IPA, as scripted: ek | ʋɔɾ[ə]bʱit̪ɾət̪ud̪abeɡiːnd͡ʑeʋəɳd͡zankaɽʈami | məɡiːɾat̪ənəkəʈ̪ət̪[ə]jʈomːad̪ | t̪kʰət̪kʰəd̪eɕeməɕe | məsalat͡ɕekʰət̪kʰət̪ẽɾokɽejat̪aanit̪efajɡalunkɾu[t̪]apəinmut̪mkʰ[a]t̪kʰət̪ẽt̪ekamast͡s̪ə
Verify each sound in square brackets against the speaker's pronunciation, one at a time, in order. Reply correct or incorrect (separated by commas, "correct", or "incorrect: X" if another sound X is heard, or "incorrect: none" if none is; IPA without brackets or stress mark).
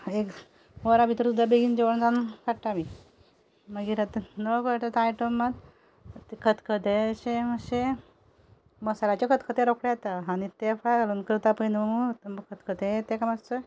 incorrect: a, incorrect: a, correct, incorrect: ə